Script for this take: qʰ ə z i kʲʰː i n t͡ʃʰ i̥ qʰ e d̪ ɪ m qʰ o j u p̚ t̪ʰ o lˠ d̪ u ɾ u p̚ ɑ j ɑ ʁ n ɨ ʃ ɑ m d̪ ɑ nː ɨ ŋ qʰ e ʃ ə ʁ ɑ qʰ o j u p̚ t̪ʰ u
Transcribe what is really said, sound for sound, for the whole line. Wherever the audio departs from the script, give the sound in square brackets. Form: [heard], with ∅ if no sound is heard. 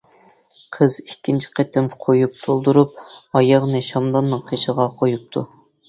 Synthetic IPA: qʰ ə z i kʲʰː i n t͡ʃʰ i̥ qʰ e [t̪] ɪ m qʰ o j u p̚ t̪ʰ o lˠ d̪ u ɾ u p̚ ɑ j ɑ ʁ n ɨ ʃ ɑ m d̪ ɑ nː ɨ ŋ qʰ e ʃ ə ʁ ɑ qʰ o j u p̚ t̪ʰ u